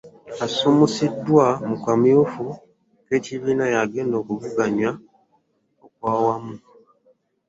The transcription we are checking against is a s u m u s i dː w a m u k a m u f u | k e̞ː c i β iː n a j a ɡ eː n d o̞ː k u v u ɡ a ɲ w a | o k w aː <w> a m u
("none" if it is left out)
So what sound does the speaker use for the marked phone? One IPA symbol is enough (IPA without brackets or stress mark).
w